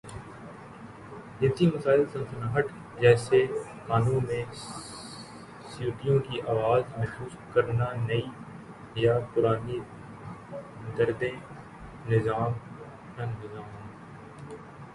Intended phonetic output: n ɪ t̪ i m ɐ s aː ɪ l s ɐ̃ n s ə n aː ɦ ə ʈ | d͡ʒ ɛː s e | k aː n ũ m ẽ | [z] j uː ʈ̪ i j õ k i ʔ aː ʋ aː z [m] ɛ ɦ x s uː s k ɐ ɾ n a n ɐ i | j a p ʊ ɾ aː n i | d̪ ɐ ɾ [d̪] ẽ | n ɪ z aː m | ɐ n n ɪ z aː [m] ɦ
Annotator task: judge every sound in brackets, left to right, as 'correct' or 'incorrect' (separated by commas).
incorrect, correct, correct, correct